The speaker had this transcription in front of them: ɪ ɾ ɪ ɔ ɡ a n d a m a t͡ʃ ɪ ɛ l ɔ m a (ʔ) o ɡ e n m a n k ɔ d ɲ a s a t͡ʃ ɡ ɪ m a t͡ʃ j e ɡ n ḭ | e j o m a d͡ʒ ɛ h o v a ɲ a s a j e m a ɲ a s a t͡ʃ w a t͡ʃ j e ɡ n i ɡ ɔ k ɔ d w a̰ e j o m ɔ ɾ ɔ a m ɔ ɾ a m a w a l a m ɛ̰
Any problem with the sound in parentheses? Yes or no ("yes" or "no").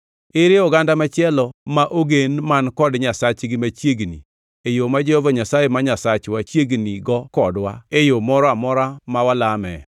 no